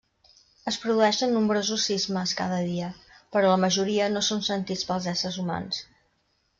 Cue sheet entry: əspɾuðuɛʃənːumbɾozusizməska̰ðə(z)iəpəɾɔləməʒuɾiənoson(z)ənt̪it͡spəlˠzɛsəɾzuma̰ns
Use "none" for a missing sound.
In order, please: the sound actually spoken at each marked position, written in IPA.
ð, s

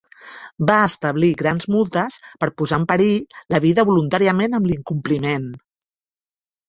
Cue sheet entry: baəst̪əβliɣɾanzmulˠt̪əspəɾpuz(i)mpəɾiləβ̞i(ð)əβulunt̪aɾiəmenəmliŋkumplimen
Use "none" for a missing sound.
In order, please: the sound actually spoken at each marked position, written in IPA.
a, ð

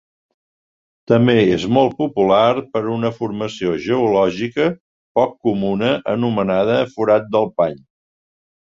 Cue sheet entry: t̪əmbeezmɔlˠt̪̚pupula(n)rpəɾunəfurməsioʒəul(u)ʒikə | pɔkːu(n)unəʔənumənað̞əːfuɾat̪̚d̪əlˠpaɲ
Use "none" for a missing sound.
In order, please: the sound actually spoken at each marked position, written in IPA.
none, ɔ, m

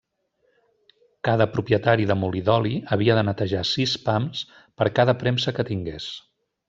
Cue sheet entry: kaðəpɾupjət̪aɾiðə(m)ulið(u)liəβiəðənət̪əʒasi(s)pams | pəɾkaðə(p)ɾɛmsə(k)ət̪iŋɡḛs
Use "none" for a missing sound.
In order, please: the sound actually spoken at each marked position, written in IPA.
m, ɔ, s, p, k

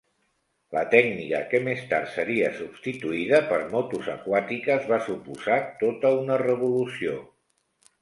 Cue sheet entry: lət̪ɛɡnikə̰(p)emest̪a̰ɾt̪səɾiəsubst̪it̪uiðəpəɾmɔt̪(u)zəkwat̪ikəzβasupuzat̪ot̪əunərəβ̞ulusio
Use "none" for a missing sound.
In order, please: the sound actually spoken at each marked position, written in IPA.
k, u

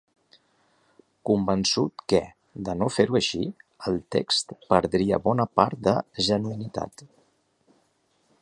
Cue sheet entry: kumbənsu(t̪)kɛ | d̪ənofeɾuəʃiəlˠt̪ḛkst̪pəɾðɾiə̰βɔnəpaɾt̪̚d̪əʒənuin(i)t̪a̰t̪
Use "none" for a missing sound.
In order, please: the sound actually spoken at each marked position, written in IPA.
t̪, i

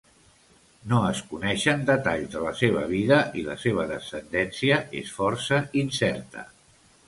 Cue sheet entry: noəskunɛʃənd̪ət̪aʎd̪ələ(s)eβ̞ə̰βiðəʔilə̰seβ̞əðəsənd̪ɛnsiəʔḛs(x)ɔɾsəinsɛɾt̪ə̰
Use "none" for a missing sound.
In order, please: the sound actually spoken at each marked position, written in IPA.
s, f

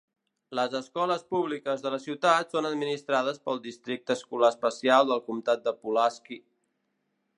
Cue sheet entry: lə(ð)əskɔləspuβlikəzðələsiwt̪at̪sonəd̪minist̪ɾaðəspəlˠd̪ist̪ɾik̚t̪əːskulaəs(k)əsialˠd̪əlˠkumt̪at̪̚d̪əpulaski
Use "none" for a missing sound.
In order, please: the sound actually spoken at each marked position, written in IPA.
z, p

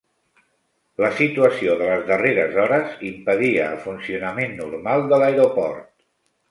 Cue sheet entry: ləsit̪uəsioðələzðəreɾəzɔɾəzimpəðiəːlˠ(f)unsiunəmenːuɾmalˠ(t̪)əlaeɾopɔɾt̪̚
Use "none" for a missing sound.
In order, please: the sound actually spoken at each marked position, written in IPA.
f, d̪

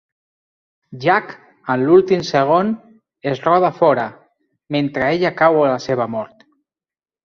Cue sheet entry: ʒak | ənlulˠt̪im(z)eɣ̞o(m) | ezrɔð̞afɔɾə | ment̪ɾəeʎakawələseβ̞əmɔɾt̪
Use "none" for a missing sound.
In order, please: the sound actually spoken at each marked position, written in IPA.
s, n

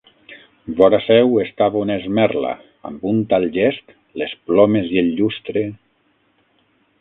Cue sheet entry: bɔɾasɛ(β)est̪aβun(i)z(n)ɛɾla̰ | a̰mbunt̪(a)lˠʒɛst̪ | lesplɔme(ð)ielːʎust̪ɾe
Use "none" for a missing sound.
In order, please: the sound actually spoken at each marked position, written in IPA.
w, e, m, a, z

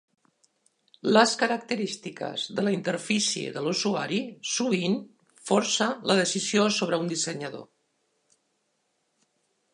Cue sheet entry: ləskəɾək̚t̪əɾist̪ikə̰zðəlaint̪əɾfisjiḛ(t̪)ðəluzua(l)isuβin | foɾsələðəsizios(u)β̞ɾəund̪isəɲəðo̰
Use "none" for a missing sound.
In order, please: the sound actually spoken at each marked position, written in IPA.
none, ɾ, o

